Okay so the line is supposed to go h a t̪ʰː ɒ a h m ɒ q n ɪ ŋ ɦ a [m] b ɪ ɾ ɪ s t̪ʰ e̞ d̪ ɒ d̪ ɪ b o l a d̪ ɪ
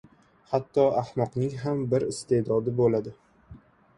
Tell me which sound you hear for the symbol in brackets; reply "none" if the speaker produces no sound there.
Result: m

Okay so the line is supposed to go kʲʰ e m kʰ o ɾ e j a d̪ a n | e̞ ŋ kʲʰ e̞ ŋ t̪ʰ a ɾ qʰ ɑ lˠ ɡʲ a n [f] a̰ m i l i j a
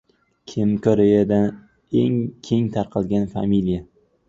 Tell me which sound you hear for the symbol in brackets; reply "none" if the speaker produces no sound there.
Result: f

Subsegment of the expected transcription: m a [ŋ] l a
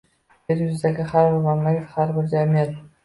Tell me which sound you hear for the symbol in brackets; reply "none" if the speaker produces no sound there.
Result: m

